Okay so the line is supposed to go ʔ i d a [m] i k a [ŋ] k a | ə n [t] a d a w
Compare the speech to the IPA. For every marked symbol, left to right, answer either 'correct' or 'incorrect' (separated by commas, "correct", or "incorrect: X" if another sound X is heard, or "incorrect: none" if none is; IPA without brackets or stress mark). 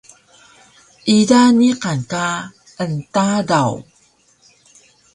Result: incorrect: n, incorrect: n, correct